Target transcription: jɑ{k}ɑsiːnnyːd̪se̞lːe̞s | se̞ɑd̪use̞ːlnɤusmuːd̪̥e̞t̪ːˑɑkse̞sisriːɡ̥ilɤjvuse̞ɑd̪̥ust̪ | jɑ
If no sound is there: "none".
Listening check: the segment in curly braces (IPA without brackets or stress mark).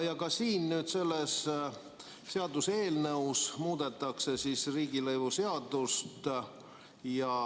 k